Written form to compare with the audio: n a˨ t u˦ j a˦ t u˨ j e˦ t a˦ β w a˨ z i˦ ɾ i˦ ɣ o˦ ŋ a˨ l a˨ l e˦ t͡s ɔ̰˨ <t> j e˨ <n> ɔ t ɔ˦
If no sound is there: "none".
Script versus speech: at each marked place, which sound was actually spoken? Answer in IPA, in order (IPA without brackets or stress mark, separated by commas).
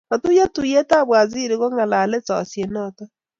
s, n